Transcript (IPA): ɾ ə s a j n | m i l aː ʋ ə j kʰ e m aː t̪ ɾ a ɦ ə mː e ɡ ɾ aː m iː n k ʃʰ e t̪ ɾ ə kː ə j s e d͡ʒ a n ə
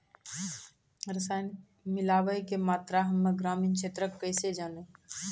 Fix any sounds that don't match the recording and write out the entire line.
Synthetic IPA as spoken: ɾ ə s a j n | m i l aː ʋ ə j k e m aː t̪ ɾ a ɦ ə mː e ɡ ɾ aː m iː n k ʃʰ e t̪ ɾ ə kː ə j s e d͡ʒ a n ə

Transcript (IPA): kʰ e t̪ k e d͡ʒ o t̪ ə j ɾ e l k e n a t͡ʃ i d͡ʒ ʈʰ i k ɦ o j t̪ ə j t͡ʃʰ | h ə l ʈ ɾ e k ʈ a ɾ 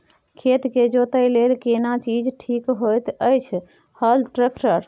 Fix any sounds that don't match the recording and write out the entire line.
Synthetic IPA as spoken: kʰ e t̪ k e d͡ʒ o t̪ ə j l e l k e n a t͡ʃ i d͡ʒ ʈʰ i k ɦ o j t̪ ə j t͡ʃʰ | h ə l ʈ ɾ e k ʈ ə ɾ

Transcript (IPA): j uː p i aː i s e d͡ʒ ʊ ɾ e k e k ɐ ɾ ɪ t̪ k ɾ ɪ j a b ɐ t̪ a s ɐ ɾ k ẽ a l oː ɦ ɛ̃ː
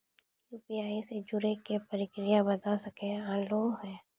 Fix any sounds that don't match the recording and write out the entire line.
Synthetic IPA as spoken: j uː p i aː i s e d͡ʒ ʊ ɾ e k e p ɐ ɾ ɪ k ɾ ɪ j a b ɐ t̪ a s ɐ k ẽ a l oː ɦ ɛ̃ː

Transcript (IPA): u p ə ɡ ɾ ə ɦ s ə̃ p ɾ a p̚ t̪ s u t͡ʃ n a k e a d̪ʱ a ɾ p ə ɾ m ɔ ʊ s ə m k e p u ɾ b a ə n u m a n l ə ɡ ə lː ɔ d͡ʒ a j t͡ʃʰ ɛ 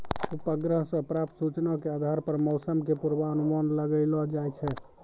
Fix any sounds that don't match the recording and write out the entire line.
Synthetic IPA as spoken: u p ə ɡ ɾ ə ɦ s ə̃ p ɾ a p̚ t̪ s u t͡ʃ n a k e a d̪ʱ a ɾ p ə ɾ m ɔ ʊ s ə m k e p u ɾ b a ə n u m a n l ə ɡ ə l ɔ d͡ʒ a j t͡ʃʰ ɛ

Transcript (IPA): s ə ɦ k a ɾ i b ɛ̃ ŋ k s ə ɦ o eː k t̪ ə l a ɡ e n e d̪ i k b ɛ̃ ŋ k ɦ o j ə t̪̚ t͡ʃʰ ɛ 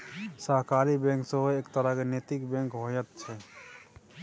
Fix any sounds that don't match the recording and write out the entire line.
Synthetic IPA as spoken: s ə ɦ k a ɾ i b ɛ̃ ŋ k s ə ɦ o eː k t̪ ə ɾ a k e n e t̪ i k b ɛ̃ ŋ k ɦ o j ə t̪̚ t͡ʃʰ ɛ

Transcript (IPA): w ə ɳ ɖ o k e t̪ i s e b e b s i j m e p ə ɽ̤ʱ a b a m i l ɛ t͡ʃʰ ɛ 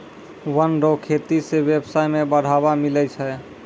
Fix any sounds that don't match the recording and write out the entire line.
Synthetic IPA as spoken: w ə n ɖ o kʰ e t̪ i s e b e b s a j m e b ə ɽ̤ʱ a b a m i l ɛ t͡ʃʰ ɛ

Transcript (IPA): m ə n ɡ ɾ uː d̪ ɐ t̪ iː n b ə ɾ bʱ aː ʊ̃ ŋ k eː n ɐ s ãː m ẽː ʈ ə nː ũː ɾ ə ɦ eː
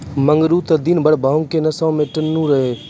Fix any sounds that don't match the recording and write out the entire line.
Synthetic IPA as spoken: m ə ŋ ɡ ɾ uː t̪ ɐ d̪ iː n b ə ɽ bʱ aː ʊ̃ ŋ k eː n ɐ s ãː m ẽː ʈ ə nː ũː ɾ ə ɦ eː

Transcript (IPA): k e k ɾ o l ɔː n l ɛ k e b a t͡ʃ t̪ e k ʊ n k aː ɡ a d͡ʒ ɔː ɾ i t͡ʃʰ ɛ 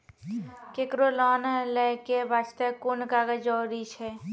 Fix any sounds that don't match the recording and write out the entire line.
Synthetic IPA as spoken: k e k ɾ o l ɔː n l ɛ k e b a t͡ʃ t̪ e k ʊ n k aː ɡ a d͡ʒ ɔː ɾ i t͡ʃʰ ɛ

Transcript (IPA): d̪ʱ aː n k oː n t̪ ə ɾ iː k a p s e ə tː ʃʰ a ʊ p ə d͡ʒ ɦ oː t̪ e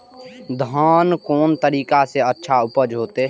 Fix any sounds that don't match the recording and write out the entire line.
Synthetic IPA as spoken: d̪ʱ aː n k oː n t̪ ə ɾ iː k a s e ə tː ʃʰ a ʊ p ə d͡ʒ ɦ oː t̪ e

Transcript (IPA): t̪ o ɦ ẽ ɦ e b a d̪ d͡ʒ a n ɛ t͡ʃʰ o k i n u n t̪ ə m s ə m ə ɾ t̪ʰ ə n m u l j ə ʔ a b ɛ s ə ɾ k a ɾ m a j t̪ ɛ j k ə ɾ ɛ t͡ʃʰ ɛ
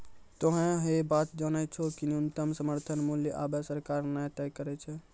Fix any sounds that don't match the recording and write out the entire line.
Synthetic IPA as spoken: t̪ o ɦ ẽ ɦ e b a t̪ d͡ʒ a n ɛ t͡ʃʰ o k i n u n t̪ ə m s ə m ə ɾ t̪ʰ ə n m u l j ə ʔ a b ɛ s ə ɾ k a ɾ n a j t̪ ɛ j k ə ɾ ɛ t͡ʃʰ ɛ

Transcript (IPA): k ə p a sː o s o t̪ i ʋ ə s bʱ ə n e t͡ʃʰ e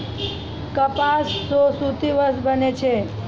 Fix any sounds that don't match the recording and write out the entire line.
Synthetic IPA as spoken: k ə p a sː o s u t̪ i ʋ ə s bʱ ə n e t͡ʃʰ e

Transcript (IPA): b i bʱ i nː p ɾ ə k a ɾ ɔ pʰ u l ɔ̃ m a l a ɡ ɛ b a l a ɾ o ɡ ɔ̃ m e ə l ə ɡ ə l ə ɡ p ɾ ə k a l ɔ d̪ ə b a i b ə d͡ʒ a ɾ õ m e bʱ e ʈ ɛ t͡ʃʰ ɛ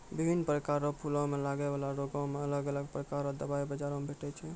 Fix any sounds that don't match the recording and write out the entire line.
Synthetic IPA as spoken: b i bʱ i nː p ɾ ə k a ɾ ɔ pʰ u l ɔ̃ m e l a ɡ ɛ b a l a ɾ o ɡ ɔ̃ m e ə l ə ɡ ə l ə ɡ p ɾ ə k a ɾ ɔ d̪ ə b a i b ə d͡ʒ a ɾ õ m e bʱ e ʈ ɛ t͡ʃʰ ɛ

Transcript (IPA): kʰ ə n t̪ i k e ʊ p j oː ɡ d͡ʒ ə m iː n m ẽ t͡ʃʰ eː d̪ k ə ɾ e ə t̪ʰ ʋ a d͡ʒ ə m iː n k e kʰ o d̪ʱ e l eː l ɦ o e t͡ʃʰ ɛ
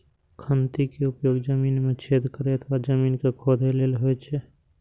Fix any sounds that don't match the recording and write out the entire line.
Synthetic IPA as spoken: kʰ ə n t̪ i k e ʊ p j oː ɡ d͡ʒ ə m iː n m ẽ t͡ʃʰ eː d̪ k ə ɾ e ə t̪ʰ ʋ a d͡ʒ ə m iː n k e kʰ o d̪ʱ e l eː l ɦ o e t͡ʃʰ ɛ

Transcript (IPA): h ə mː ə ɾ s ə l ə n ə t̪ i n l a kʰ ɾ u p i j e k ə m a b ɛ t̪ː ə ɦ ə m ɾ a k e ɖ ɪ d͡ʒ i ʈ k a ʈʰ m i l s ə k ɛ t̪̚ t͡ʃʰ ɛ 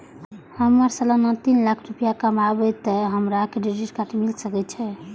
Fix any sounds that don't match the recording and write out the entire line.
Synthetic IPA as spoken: h ə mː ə ɾ s ə l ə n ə t̪ i n l a kʰ ɾ u p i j a k ə m a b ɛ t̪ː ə ɦ ə m ɾ a k e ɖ i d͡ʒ i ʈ k a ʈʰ m i l s ə k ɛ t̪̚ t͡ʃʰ ɛ

